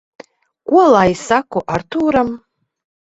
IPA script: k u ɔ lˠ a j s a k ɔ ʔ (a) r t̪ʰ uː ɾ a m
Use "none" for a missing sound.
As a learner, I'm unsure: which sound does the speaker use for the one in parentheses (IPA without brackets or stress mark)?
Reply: a